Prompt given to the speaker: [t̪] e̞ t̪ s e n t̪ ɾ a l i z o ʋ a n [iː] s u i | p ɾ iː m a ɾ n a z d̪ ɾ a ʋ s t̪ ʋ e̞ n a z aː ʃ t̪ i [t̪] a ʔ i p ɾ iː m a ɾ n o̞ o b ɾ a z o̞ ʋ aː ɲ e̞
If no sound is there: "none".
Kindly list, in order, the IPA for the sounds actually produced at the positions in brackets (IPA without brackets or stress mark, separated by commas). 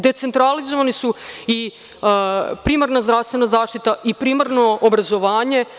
d̪, i, t̪